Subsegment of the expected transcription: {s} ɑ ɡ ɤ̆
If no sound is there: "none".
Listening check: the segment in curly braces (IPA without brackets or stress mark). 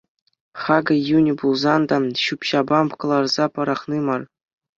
χ